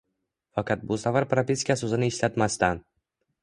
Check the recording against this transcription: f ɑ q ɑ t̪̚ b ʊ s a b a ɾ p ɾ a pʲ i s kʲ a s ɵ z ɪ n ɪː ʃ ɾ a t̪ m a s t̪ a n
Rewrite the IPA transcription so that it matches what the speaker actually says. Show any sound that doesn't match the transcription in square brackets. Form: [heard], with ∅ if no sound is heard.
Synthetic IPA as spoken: f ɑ q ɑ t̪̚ b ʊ s a [v] a ɾ p ɾ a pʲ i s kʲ a s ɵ z ɪ n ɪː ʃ [l] a t̪ m a s t̪ a n